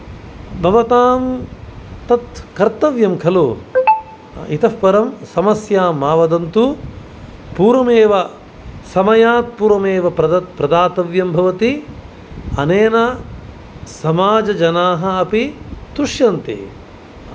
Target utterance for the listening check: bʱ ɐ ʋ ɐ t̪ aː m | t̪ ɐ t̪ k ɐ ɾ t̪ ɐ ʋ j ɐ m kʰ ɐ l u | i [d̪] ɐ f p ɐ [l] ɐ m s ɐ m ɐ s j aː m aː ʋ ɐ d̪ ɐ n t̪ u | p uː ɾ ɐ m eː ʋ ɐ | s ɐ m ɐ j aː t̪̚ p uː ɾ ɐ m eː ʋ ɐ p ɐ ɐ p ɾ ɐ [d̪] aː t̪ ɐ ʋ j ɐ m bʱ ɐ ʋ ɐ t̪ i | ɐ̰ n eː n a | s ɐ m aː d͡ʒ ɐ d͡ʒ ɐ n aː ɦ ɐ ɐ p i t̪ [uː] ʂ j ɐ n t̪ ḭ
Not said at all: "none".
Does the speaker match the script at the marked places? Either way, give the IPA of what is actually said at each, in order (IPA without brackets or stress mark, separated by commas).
t̪, ɾ, d̪, u